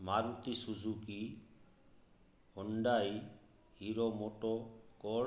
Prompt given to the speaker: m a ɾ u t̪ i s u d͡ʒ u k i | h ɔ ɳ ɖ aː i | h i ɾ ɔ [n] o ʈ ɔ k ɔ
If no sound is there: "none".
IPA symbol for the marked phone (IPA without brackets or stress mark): m